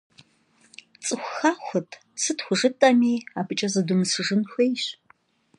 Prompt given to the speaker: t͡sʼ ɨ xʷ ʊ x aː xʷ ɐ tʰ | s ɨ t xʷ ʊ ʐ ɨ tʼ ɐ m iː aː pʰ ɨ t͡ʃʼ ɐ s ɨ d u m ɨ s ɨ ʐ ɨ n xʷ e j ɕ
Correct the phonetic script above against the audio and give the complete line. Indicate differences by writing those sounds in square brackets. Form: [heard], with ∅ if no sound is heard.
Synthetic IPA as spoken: t͡sʼ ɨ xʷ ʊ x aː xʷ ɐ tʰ | s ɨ t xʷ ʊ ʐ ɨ tʼ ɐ m iː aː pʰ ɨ t͡ʃʼ ɐ [z] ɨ d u m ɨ s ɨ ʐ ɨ n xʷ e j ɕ